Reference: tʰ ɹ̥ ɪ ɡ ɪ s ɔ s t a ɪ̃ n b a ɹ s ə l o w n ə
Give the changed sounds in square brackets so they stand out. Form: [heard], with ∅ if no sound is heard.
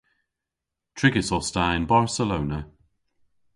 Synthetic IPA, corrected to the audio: tʰ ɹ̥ ɪ ɡ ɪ s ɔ s t a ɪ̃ n b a ɹ s ə l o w n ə